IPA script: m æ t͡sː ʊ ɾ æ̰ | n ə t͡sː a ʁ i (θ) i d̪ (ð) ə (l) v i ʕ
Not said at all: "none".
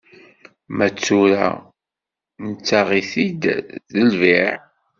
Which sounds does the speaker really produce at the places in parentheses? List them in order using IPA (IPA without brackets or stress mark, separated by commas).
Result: θ, ð, l